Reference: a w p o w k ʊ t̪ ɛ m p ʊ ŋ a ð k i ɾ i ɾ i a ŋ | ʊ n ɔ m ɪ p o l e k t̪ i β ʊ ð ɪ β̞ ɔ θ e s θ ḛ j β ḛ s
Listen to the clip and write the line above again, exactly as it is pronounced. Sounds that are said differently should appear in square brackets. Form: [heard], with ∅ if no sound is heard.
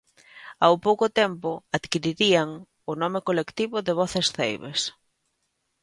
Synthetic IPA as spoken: a w p o w k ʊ t̪ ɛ m p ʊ [∅] a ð k i ɾ i ɾ i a ŋ | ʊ n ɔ m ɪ [k] o l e k t̪ i β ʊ ð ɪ β̞ ɔ θ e s θ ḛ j β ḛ s